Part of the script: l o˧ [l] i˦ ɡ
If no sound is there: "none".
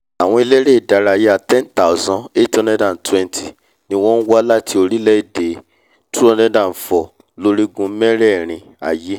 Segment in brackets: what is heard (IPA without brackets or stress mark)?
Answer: ɾ